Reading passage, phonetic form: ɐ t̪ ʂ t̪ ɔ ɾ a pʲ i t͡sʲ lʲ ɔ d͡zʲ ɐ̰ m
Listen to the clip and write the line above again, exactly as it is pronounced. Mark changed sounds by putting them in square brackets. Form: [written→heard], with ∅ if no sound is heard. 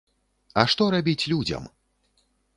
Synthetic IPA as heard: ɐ [t̪→∅] ʂ t̪ ɔ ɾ a [pʲ→bʲ] i t͡sʲ lʲ [ɔ→u] d͡zʲ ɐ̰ m